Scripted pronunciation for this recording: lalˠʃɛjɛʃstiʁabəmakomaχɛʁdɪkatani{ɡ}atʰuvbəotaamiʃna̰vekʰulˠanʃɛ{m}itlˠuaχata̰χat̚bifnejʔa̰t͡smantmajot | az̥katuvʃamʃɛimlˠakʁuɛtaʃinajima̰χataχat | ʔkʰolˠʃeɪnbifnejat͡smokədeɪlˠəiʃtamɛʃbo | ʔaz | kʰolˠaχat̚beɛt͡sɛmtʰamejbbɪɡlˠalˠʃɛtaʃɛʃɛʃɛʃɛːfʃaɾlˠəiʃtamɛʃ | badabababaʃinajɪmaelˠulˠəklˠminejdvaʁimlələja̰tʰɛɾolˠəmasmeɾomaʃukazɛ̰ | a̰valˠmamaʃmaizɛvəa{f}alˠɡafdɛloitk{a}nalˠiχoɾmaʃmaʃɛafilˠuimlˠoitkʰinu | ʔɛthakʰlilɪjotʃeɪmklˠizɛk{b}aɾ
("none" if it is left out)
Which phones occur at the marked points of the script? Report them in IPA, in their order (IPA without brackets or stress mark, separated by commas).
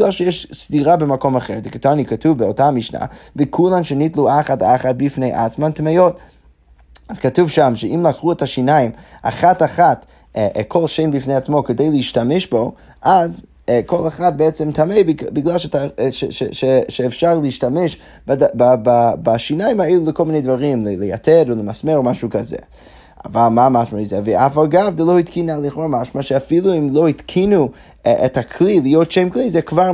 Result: k, n, f, i, v